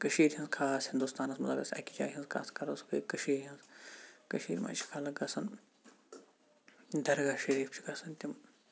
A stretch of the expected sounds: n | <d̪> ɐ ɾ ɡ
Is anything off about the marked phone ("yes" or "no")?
no